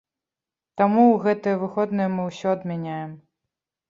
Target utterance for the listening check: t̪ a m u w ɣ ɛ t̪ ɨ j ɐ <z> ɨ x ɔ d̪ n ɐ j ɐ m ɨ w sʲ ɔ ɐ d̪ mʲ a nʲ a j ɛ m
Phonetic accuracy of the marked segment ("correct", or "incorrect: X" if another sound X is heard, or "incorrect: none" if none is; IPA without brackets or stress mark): incorrect: v